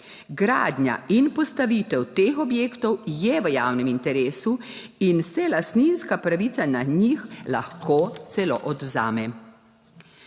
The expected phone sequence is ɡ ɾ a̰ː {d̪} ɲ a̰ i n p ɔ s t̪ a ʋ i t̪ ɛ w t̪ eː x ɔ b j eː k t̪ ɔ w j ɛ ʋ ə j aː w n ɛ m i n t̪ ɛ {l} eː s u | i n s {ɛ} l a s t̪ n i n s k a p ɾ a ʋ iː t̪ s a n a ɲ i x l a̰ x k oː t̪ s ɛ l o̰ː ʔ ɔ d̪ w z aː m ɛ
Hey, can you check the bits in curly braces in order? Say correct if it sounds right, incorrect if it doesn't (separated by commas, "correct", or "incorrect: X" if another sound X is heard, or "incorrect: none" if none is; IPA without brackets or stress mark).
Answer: correct, incorrect: ɾ, correct